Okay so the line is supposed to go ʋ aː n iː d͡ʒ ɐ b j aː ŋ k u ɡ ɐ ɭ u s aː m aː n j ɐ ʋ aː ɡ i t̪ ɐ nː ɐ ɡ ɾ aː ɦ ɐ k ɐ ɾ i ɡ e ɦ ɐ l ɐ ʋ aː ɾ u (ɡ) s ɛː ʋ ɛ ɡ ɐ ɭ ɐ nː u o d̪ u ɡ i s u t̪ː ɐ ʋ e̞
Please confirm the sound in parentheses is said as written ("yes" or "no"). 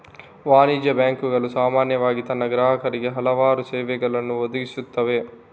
no